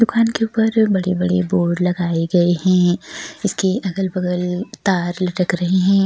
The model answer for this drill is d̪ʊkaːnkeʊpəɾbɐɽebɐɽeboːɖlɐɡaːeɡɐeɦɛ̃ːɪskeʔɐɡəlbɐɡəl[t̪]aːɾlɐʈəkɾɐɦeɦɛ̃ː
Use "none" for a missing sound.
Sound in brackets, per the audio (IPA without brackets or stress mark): t̪